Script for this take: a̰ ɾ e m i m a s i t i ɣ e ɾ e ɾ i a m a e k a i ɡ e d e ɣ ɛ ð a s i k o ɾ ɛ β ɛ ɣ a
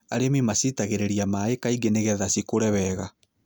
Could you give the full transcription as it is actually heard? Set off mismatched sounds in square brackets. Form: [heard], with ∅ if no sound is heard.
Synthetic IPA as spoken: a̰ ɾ e m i m a s i t [a] ɣ e ɾ e ɾ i a m a e k a i ɡ e [n] e ɣ ɛ ð a s i k o ɾ ɛ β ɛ ɣ a